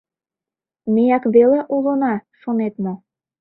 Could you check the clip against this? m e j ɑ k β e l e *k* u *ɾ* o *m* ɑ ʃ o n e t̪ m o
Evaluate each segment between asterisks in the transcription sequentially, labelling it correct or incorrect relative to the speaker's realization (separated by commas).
incorrect, incorrect, incorrect